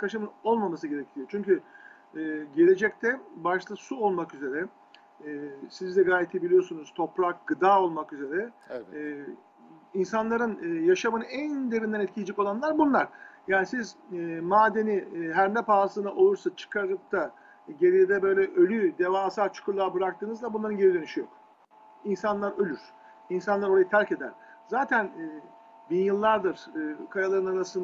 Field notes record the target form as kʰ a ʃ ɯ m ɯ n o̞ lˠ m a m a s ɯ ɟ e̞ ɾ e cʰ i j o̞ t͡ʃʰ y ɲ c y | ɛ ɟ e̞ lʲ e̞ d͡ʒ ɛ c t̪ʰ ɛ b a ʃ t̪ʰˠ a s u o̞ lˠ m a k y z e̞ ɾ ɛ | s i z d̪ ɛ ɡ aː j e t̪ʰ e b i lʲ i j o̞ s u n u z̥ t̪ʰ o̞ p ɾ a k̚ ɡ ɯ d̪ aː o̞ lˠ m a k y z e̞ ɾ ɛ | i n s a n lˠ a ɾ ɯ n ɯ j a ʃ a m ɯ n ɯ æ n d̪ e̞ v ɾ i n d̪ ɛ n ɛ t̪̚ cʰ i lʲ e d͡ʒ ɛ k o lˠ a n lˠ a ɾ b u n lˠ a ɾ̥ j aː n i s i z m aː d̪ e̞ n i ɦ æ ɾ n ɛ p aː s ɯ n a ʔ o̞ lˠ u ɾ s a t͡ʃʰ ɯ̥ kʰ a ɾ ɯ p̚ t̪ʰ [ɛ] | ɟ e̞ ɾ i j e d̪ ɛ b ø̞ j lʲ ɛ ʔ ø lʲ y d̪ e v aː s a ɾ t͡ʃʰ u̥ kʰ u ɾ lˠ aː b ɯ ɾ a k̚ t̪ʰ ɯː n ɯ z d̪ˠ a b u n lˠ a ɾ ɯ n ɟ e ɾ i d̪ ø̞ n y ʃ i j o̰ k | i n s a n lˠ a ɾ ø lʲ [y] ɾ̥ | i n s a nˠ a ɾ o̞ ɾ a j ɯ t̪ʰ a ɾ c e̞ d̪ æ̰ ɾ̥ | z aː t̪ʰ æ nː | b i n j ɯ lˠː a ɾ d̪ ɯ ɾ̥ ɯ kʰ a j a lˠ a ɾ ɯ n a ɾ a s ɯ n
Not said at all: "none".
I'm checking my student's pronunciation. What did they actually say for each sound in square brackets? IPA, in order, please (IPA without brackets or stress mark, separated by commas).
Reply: a, y